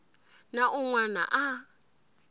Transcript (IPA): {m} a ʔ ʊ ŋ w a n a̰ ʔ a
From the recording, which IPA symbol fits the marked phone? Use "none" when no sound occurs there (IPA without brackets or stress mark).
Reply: n